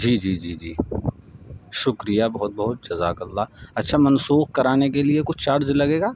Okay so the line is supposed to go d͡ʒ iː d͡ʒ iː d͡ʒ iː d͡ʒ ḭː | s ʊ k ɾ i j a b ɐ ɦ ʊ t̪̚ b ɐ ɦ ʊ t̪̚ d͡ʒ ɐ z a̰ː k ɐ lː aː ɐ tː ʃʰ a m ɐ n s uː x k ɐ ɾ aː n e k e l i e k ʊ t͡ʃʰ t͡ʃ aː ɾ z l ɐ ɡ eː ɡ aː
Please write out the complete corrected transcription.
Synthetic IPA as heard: d͡ʒ iː d͡ʒ iː d͡ʒ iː d͡ʒ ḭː | ʃ ʊ k ɾ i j a b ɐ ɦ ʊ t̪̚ b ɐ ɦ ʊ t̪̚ d͡ʒ ɐ z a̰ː k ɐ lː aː ɐ tː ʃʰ a m ɐ n s uː x k ɐ ɾ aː n e k e l i e k ʊ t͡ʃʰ t͡ʃ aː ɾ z l ɐ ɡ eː ɡ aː